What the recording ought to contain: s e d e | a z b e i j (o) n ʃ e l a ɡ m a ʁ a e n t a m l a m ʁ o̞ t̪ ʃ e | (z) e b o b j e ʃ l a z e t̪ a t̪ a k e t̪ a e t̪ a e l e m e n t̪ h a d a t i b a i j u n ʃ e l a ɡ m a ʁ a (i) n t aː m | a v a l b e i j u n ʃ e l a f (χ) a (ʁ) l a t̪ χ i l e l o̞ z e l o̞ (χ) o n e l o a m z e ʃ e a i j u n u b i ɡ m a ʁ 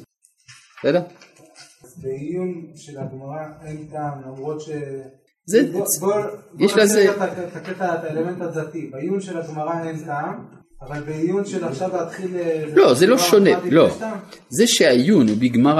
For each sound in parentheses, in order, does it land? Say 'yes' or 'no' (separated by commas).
no, yes, no, no, no, no